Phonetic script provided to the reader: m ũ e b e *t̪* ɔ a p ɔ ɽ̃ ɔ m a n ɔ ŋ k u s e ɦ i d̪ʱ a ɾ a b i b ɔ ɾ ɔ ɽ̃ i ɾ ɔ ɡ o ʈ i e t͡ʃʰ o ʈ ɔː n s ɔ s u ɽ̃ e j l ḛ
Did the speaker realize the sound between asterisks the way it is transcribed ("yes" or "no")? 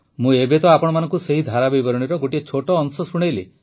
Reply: yes